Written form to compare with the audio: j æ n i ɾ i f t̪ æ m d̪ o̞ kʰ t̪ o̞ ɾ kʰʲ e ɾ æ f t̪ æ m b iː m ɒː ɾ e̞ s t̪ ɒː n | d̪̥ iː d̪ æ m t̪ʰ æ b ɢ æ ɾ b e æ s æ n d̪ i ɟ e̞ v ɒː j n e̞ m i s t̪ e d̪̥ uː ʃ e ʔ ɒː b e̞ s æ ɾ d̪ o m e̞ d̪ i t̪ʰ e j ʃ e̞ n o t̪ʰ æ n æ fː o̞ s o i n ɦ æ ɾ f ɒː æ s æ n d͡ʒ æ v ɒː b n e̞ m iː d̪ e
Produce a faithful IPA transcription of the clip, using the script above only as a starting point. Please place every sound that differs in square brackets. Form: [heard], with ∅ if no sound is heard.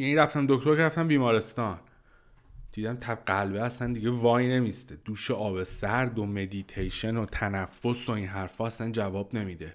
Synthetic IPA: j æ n i ɾ [æ] f t̪ æ m d̪ o̞ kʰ t̪ o̞ ɾ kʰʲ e ɾ æ f t̪ æ m b iː m ɒː ɾ e̞ s t̪ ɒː n | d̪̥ iː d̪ æ m t̪ʰ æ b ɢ æ [l] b e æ s æ n d̪ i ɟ e̞ v ɒː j n e̞ m i s t̪ e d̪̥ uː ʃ e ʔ ɒː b e̞ s æ ɾ d̪ o m e̞ d̪ i t̪ʰ e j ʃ e̞ n o t̪ʰ æ n æ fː o̞ s o i n ɦ æ ɾ f ɒː æ s æ n d͡ʒ æ v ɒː b n e̞ m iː d̪ e